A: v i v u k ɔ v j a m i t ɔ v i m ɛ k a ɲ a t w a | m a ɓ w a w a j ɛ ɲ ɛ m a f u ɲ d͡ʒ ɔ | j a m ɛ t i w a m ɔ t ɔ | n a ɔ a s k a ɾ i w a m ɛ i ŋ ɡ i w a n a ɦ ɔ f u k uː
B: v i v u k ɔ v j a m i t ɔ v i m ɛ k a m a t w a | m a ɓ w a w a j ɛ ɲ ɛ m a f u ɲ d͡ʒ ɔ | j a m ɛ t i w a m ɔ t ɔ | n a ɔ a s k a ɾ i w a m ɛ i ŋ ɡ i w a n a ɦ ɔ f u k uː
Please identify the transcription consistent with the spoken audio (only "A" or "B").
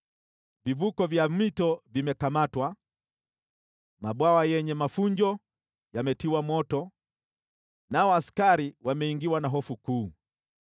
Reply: B